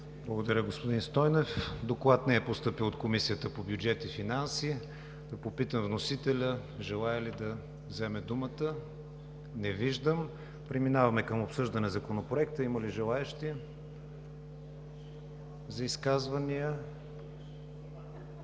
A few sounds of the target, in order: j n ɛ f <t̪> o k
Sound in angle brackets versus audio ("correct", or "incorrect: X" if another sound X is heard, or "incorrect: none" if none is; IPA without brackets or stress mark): incorrect: d̪